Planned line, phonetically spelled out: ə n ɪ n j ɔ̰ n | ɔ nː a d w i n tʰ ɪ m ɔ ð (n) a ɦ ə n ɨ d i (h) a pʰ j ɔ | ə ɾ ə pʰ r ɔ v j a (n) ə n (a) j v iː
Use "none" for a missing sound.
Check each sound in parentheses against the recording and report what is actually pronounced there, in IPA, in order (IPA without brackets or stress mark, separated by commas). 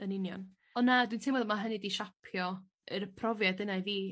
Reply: m, ʃ, d, a